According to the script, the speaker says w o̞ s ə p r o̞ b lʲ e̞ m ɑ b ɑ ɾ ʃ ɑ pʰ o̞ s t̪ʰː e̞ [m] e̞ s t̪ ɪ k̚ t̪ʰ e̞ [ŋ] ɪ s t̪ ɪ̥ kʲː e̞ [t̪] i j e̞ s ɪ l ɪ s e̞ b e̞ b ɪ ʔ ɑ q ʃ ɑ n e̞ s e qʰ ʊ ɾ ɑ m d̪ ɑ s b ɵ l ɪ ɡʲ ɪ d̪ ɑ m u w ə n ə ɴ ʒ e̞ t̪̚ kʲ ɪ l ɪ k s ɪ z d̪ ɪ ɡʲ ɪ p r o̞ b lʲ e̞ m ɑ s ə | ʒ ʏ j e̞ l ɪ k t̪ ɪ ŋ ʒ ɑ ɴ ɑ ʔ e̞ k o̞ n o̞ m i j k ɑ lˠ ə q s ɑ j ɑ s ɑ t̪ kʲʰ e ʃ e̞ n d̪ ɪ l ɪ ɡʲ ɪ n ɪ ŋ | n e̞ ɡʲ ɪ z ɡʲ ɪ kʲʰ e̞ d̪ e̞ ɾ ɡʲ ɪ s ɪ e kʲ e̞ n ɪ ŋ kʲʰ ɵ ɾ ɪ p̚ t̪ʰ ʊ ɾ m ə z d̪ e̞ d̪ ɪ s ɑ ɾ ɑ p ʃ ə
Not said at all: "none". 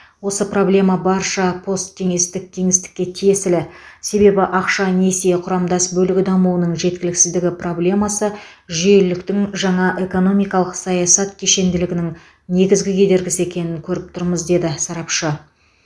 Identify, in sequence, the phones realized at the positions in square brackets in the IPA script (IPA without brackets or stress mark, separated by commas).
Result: ŋ, ŋ, t̪ʰ